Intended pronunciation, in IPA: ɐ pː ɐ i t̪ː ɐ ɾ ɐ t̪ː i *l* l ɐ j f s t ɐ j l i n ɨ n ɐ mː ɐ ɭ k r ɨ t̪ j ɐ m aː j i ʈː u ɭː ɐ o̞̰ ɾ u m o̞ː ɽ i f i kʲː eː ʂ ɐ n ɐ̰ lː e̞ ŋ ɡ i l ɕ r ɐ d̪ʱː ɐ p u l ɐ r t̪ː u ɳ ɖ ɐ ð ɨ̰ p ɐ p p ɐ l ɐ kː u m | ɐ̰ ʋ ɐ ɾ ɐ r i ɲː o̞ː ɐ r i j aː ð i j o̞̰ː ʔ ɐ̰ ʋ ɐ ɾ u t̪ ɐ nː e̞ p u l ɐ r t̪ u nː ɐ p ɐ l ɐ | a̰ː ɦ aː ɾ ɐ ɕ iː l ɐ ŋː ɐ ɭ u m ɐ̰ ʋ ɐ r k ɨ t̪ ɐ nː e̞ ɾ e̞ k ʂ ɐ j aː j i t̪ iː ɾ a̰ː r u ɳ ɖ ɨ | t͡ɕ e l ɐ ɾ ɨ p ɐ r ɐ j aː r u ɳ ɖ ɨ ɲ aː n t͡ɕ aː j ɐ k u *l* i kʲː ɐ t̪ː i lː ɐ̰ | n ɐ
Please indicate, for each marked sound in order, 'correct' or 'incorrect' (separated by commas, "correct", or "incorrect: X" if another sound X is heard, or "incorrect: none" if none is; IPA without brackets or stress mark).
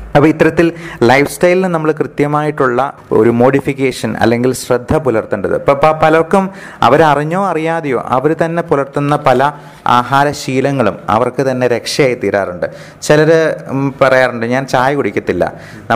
correct, incorrect: ɽ